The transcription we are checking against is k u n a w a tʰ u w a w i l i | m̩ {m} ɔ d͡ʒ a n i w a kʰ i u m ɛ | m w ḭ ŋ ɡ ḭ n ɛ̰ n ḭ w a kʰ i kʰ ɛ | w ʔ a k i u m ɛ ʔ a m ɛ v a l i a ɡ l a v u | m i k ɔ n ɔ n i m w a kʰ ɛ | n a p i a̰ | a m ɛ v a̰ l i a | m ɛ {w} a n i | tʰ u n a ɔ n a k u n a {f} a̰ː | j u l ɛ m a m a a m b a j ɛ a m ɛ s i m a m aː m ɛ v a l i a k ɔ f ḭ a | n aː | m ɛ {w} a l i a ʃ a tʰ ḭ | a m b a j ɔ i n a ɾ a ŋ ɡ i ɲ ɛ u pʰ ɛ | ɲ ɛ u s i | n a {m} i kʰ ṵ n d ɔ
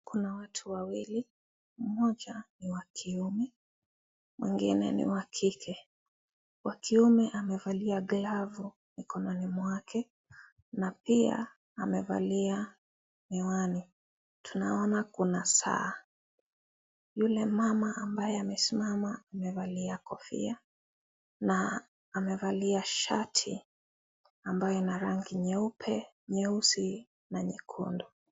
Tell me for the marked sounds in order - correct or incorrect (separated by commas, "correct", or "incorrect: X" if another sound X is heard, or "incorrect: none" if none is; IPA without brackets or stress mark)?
correct, correct, incorrect: s, incorrect: v, incorrect: ɲ